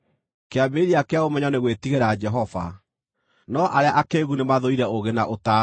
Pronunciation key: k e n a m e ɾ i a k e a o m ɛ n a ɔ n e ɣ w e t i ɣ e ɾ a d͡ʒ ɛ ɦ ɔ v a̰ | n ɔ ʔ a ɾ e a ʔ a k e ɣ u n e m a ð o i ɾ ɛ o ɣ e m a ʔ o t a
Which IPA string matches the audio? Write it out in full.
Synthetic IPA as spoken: k e a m e ɾ i a k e a o m ɛ ɲ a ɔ n e ɣ w e t i ɣ e ɾ a d͡ʒ ɛ ɦ ɔ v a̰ | n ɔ ʔ a ɾ e a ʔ a k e ɣ u n e m a ð o i ɾ ɛ o ɣ e n a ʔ o t a